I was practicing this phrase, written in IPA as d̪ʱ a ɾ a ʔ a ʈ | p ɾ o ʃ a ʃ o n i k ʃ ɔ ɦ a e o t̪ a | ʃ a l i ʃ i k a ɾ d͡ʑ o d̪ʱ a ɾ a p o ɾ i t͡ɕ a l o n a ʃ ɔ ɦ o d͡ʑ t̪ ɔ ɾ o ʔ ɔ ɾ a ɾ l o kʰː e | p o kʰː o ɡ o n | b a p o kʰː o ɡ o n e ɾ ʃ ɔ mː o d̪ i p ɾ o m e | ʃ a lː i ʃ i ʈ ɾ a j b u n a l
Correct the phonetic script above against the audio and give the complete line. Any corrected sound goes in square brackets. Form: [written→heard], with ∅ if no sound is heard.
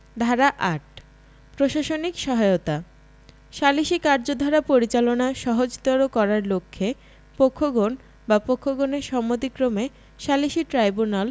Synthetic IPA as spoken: d̪ʱ a ɾ a ʔ a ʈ | p ɾ o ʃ a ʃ o n i k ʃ ɔ ɦ a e o t̪ a | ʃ a l i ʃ i k a ɾ d͡ʑ o d̪ʱ a ɾ a p o ɾ i t͡ɕ a l o n a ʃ ɔ ɦ o d͡ʑ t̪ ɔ ɾ o [ʔ→k] ɔ ɾ a ɾ l o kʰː e | p o kʰː o ɡ o n | b a p o kʰː o ɡ o n e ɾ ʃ ɔ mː o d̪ i [p→k] ɾ o m e | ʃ a [lː→l] i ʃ i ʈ ɾ a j b u n a l